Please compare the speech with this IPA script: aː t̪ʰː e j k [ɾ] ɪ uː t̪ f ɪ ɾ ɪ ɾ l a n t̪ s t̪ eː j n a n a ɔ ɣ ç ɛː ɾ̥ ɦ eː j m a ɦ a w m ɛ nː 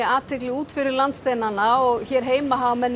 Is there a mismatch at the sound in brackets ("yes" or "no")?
yes